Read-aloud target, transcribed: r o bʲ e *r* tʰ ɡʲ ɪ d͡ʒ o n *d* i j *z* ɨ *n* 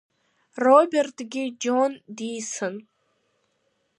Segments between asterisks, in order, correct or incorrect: correct, correct, incorrect: s, correct

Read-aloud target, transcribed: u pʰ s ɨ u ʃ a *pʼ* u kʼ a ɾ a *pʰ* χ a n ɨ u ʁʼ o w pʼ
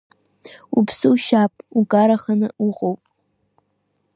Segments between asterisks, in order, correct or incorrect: correct, incorrect: none

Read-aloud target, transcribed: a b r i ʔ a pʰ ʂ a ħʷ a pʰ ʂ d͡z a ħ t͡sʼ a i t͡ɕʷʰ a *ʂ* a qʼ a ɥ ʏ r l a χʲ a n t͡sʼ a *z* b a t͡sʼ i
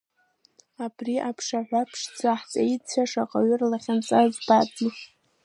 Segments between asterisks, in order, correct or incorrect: correct, correct

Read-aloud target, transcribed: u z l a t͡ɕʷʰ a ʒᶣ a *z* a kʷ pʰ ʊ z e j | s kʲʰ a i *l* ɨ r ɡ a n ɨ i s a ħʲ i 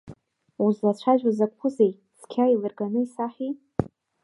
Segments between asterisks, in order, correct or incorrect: correct, correct

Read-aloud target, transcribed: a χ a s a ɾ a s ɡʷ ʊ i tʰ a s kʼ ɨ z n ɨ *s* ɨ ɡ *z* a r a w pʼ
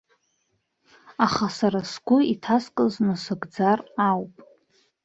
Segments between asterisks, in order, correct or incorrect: correct, incorrect: d͡z

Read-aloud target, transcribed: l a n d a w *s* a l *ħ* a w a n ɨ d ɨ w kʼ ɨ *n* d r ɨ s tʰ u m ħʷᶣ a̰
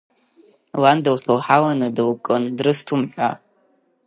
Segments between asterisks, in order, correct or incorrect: correct, correct, correct

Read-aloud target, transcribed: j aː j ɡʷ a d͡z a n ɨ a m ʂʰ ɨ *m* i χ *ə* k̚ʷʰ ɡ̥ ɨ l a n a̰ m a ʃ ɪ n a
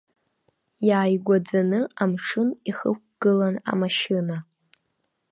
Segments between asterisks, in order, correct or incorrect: incorrect: n, correct

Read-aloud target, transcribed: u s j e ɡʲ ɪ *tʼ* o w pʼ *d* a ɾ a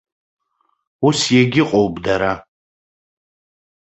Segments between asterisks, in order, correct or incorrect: incorrect: qʼ, correct

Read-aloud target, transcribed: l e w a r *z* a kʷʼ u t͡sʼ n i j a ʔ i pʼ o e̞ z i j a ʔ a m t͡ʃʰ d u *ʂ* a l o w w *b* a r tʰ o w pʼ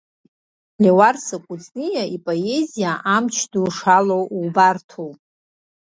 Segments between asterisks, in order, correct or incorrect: incorrect: s, correct, correct

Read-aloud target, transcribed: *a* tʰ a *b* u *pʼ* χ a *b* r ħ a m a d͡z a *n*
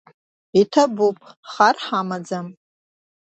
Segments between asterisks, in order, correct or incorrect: incorrect: i, correct, correct, incorrect: none, incorrect: m

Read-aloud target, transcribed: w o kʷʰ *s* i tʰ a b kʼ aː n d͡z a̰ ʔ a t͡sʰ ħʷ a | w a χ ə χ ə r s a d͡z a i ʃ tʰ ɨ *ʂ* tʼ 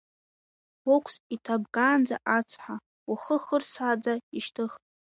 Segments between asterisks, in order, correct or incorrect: correct, incorrect: χ

